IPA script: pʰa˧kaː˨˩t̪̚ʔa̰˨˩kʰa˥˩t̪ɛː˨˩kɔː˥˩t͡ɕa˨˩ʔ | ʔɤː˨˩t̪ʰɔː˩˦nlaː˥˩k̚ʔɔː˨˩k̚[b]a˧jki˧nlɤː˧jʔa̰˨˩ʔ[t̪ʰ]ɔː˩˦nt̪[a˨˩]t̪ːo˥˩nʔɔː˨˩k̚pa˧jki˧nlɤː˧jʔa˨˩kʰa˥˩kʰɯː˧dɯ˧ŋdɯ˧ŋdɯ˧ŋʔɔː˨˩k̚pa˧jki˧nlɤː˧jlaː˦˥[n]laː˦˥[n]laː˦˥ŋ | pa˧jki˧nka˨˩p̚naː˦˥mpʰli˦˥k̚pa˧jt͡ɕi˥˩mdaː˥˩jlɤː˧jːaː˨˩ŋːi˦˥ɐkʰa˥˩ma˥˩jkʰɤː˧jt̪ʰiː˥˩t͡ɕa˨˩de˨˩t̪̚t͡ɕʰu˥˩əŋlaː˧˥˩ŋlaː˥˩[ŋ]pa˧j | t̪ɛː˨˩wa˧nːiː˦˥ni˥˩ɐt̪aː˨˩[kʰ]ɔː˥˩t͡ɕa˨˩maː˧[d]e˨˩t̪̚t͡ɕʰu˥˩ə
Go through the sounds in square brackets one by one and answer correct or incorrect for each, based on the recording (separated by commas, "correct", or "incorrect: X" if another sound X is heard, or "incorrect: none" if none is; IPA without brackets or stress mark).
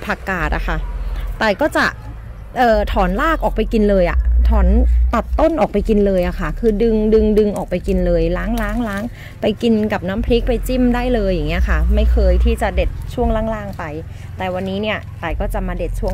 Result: incorrect: p, correct, correct, incorrect: ŋ, incorrect: ŋ, correct, incorrect: k, correct